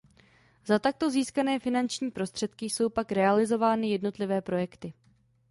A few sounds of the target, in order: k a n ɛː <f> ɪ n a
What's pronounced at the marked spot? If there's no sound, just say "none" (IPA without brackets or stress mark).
f